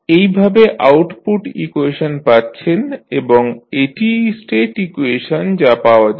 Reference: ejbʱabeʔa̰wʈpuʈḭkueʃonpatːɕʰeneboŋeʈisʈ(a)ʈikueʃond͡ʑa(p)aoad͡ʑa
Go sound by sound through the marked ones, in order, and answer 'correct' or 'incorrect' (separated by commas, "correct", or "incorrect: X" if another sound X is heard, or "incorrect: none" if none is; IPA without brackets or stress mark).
incorrect: e, correct